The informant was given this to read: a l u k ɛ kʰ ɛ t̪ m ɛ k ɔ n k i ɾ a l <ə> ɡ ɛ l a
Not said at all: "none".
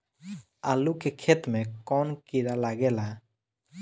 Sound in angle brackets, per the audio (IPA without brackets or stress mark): a